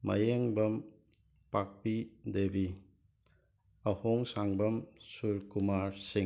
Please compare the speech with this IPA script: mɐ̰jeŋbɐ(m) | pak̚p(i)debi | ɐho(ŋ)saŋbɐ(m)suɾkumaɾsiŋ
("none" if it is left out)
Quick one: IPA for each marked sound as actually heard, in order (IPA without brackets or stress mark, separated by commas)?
m, i, ŋ, m